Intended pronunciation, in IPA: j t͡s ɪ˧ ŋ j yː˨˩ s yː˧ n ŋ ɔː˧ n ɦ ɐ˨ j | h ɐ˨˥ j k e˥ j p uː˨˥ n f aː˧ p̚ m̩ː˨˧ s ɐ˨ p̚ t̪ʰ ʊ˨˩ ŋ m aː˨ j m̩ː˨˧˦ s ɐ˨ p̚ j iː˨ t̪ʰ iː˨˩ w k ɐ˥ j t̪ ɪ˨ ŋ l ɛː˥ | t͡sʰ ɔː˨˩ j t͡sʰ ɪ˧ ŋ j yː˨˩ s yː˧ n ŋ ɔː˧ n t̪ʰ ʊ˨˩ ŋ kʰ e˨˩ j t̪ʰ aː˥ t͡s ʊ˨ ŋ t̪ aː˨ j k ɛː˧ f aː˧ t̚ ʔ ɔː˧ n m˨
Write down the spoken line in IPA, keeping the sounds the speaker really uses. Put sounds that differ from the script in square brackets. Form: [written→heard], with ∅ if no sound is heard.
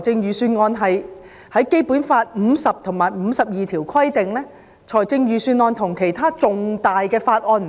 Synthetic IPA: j t͡s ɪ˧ ŋ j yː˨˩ s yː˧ n ŋ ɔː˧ n ɦ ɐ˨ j | h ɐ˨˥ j k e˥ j p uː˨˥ n f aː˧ [p̚→t̚] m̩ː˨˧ s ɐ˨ p̚ t̪ʰ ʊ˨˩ ŋ m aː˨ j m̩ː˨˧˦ s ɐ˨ p̚ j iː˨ t̪ʰ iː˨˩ w [k→kʰ] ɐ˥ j t̪ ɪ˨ ŋ l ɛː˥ | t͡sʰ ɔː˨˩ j [t͡sʰ→t͡s] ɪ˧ ŋ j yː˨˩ s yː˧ n ŋ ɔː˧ n t̪ʰ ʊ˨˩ ŋ kʰ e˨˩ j t̪ʰ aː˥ t͡s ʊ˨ ŋ t̪ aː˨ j k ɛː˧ f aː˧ t̚ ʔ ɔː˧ n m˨